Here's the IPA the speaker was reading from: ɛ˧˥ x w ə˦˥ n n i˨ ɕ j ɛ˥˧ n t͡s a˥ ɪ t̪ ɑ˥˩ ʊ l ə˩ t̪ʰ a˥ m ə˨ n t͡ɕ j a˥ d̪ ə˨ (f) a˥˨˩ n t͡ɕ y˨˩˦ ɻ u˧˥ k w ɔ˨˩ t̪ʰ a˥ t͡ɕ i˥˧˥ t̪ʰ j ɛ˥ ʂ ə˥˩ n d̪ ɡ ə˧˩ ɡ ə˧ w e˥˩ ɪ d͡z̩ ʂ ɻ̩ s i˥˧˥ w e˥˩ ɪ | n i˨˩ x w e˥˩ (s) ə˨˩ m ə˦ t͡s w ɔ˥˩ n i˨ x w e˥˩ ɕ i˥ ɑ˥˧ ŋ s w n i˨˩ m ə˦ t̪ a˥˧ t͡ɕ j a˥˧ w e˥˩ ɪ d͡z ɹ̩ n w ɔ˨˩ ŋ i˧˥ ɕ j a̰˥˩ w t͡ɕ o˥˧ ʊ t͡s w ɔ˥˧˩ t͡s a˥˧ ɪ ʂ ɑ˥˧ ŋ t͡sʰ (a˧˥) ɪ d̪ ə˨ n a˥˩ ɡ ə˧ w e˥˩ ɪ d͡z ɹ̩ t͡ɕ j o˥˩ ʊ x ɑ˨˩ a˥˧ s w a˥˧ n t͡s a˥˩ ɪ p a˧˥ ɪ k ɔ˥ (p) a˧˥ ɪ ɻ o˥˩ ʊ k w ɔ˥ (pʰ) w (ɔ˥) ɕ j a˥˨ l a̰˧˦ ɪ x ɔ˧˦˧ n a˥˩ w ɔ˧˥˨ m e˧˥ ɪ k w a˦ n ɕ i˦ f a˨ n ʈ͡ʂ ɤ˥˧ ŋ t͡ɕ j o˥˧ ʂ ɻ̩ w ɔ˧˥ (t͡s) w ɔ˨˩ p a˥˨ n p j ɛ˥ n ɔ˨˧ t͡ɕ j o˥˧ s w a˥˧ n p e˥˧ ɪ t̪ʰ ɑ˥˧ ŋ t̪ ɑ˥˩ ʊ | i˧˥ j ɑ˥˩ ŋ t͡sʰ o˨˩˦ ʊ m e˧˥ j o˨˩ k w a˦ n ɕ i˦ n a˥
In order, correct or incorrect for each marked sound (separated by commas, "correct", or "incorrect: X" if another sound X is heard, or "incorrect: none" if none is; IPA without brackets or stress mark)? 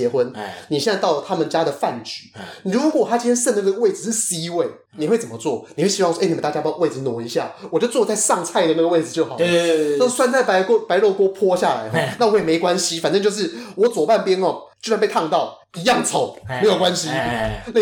correct, incorrect: t͡s, incorrect: a˥˧, correct, correct, correct, correct